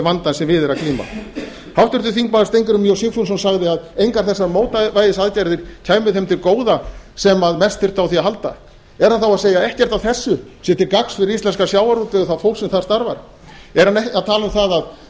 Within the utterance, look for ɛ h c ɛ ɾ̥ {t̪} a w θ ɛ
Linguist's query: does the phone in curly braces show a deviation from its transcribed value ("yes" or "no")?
no